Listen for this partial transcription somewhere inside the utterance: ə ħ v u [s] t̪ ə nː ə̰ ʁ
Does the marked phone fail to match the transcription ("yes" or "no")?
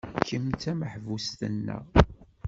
no